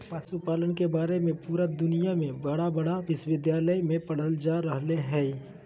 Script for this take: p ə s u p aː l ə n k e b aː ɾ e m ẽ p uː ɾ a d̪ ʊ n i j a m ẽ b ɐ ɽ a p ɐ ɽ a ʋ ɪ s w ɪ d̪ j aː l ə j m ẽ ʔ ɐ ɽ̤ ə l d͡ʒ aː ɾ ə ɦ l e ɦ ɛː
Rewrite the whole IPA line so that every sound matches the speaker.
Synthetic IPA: p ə s u p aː l ə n k e b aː ɾ e m ẽ p uː ɾ a d̪ ʊ n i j a m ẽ b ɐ ɽ a b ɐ ɽ a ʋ ɪ s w ɪ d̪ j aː l ə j m ẽ p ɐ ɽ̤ ə l d͡ʒ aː ɾ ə ɦ l e ɦ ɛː